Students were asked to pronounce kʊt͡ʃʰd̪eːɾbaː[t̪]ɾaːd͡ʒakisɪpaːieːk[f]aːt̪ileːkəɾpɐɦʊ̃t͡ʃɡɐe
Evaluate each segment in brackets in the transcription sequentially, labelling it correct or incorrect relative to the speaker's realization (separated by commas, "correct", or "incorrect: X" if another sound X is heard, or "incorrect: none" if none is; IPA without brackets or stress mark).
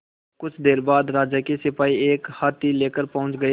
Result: incorrect: d̪, incorrect: h